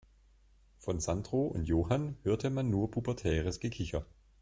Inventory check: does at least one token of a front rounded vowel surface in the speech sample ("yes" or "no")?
yes